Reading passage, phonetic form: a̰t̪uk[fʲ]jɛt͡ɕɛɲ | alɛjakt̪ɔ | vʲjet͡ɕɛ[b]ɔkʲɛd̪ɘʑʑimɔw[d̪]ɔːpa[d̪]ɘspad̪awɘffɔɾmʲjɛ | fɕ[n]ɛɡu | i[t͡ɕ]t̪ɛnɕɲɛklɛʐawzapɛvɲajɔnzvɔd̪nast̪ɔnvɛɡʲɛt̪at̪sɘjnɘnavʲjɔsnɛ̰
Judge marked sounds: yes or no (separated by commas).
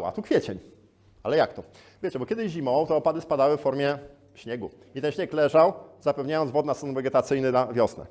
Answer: yes, yes, no, yes, no, no